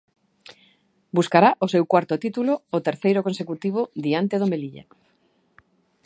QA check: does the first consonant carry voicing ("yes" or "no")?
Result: yes